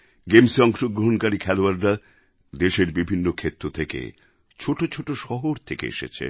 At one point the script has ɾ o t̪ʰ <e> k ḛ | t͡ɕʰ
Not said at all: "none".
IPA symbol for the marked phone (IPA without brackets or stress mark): e